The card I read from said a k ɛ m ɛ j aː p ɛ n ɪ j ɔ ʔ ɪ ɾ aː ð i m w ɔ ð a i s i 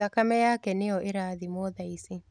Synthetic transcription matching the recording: a k a m ɛ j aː k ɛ n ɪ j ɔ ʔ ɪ ɾ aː ð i m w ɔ ð a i s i